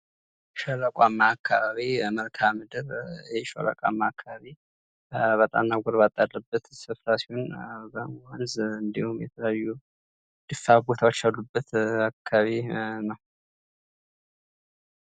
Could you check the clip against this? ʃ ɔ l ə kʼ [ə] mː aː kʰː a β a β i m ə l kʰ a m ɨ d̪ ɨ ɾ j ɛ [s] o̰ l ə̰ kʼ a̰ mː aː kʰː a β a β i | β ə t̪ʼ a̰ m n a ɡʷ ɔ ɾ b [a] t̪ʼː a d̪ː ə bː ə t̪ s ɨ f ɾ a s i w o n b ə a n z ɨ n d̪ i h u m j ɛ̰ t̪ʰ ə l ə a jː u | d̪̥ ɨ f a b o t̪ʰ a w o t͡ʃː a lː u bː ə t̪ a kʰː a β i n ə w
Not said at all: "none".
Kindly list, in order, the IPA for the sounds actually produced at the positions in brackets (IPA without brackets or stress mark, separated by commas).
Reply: a, ʃ, a